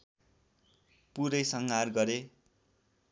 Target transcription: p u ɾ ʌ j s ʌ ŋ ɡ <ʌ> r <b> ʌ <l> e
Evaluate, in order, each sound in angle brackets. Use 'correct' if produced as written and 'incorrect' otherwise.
incorrect: a, incorrect: ɡ, incorrect: ɾ

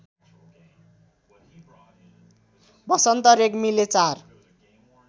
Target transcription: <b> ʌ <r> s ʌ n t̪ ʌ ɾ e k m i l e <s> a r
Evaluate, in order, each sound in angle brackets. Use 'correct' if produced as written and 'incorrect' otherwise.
correct, incorrect: none, incorrect: t͡s

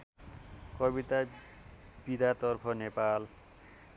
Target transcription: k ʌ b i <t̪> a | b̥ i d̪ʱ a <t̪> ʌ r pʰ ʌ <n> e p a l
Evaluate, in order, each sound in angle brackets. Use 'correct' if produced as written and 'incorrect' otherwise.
correct, correct, correct

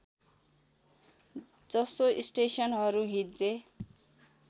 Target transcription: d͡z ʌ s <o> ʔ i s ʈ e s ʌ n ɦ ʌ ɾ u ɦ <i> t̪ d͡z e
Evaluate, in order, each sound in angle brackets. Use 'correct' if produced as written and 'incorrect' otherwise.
correct, correct

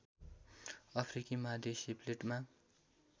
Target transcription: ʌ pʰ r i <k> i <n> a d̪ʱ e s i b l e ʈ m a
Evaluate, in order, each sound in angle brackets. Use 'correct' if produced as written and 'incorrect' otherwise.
correct, incorrect: m

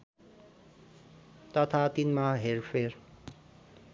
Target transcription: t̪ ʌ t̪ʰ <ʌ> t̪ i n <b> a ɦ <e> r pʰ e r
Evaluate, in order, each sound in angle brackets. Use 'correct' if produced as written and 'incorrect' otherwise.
incorrect: a, incorrect: m, correct

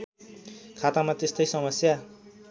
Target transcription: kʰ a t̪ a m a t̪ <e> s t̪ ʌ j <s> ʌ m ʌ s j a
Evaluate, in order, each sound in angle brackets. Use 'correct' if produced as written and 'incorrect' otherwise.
correct, correct

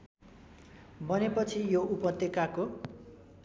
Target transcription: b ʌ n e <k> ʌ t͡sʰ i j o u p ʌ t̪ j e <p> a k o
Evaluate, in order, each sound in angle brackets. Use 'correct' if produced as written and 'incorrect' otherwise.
incorrect: p, incorrect: k

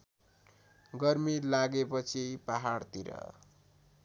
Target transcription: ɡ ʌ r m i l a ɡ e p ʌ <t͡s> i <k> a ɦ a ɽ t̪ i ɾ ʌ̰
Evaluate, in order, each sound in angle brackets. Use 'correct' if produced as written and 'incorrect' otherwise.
incorrect: t͡sʰ, incorrect: p

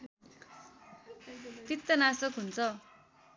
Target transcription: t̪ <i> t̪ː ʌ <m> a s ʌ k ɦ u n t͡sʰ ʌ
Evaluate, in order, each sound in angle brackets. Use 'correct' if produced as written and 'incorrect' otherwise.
correct, incorrect: n

